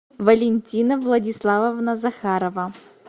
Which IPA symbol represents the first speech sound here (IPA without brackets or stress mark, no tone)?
v